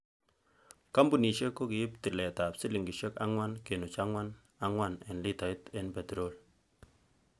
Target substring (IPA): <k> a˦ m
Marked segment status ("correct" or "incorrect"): correct